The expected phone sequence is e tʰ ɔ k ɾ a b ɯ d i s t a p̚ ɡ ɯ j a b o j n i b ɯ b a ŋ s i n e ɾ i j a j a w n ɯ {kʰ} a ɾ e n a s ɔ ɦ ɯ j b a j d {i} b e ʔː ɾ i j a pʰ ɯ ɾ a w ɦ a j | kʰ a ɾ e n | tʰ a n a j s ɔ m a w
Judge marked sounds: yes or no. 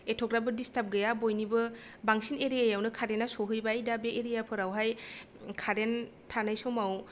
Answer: yes, no

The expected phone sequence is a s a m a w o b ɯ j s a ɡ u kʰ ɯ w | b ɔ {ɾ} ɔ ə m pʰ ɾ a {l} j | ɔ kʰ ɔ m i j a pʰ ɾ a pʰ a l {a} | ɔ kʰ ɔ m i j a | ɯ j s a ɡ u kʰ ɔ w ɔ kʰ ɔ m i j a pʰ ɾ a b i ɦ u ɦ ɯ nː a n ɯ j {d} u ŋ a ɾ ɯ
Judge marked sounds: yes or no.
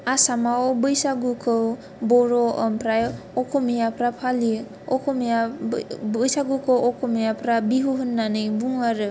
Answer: yes, no, no, no

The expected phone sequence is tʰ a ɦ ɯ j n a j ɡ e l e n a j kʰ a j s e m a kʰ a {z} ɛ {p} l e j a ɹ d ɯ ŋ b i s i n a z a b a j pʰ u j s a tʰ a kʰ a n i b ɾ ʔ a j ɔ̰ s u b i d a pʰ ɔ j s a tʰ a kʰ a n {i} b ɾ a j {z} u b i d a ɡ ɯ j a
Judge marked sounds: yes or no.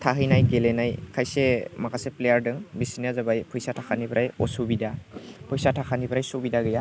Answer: no, yes, yes, no

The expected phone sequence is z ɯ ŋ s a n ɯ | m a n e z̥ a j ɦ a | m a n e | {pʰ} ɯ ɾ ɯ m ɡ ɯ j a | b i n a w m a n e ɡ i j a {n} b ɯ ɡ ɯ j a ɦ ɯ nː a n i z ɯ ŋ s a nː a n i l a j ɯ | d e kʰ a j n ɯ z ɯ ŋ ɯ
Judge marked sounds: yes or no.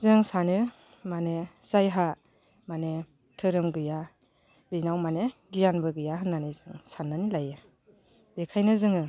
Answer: no, yes

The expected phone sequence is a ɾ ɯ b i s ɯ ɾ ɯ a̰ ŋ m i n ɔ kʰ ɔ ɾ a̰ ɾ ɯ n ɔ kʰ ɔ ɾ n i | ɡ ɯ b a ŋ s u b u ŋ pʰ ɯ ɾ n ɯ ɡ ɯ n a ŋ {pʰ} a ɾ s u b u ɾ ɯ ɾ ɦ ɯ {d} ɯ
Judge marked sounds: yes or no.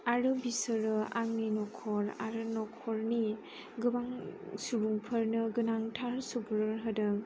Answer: no, yes

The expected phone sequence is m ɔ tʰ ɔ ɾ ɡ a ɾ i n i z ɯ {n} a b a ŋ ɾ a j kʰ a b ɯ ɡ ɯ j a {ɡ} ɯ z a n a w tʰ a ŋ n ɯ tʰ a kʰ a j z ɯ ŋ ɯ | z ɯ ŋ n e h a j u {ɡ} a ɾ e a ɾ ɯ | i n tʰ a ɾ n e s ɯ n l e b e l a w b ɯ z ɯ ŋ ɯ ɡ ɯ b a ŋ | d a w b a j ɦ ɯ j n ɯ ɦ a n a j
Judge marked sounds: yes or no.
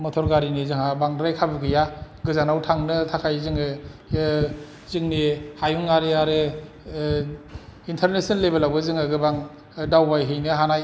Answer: no, yes, no

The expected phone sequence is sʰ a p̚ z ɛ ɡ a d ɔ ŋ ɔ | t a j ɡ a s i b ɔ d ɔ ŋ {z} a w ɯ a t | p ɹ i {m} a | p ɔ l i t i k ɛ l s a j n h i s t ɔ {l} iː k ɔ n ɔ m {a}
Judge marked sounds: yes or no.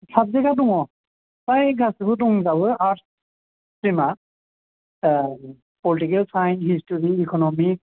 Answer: yes, yes, no, no

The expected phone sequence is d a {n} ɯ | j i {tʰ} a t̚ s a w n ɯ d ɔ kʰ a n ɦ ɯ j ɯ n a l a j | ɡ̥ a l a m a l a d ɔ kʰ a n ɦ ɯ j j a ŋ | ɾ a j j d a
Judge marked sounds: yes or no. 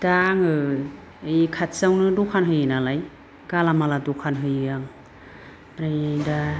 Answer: no, no

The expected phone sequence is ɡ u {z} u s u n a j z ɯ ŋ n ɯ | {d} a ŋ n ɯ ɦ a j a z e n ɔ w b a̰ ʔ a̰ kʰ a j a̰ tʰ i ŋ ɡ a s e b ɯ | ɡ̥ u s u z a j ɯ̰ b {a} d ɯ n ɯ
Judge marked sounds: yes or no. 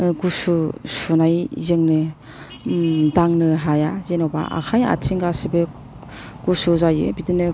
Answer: no, yes, no

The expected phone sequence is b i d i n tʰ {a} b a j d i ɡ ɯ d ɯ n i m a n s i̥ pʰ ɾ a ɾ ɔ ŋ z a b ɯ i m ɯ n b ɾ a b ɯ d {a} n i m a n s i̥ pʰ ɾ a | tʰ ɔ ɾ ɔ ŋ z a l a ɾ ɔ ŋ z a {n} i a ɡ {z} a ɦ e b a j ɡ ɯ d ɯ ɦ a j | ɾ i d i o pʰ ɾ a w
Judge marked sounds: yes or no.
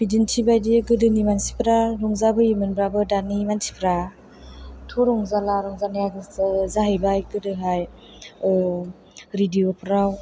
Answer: no, yes, yes, yes

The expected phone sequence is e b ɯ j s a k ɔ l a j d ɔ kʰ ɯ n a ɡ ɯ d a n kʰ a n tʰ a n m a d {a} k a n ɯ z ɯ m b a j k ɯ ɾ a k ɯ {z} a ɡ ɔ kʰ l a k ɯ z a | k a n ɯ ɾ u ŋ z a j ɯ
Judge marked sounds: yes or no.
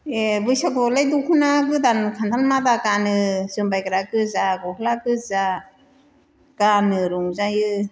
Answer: yes, yes

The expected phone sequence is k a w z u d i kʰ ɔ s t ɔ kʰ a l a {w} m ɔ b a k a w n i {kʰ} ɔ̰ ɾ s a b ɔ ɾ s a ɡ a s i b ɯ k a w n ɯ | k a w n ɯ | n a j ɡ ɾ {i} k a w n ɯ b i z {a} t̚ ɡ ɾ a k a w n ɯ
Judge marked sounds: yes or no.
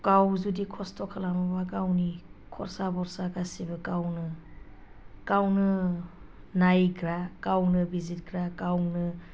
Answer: no, yes, no, no

